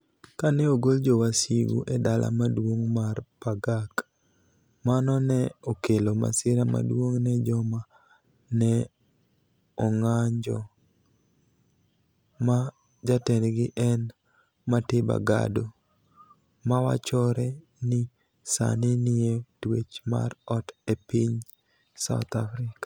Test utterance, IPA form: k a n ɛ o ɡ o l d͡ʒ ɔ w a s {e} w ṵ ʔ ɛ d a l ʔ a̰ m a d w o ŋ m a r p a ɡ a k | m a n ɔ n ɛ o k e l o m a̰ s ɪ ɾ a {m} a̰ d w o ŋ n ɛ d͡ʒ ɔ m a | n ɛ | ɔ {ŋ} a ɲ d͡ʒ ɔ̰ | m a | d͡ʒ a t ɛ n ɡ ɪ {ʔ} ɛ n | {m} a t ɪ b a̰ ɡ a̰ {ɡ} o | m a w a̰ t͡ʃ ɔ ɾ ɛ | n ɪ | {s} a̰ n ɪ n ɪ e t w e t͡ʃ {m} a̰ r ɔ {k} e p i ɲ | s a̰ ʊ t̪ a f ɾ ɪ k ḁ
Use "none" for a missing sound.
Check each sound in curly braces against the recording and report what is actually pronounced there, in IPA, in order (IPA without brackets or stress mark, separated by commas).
i, m, ŋ, ʔ, m, d, s, m, t